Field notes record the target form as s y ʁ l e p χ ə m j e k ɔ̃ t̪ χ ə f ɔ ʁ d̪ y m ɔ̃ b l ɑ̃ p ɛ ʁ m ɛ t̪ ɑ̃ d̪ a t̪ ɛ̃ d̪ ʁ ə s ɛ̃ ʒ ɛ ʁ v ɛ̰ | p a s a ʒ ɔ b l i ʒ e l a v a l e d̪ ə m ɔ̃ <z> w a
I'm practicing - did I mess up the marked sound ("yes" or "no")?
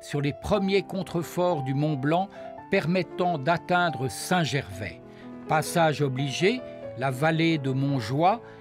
yes